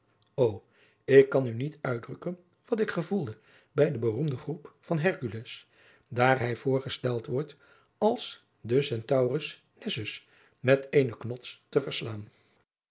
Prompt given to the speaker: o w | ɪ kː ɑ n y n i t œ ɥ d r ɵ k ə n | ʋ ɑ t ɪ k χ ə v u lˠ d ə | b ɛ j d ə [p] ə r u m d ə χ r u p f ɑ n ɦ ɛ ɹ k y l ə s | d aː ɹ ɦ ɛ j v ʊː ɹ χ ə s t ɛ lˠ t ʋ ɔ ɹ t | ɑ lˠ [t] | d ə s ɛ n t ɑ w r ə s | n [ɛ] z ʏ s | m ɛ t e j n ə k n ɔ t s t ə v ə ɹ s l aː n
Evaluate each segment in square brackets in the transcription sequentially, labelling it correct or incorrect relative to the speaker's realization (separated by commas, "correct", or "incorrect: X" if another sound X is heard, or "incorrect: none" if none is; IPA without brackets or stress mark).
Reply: incorrect: b, incorrect: s, correct